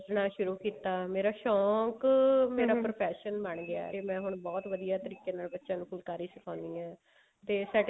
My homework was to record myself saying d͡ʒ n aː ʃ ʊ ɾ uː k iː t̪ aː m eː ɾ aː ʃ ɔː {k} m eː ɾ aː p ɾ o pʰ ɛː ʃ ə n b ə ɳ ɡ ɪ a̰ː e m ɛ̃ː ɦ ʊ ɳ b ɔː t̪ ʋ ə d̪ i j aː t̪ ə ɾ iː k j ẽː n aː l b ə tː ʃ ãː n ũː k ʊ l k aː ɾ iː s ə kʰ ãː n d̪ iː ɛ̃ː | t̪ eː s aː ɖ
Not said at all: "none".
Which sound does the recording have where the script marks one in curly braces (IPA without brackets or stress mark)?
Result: k